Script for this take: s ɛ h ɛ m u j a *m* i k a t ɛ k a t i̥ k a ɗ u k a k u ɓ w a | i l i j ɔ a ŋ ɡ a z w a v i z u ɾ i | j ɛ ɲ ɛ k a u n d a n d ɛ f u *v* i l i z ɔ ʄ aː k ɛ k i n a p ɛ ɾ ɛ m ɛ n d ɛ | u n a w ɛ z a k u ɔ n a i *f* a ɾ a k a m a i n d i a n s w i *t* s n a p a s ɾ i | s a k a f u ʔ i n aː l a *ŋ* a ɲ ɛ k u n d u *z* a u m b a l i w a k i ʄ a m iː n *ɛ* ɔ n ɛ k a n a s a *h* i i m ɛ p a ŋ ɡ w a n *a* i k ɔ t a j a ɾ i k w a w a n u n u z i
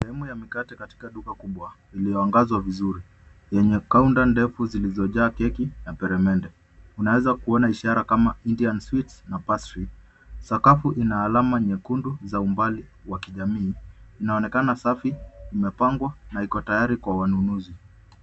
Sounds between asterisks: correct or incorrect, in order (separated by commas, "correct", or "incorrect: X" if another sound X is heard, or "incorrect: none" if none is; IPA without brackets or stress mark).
correct, incorrect: z, incorrect: ʃ, correct, incorrect: m, correct, incorrect: a, incorrect: f, correct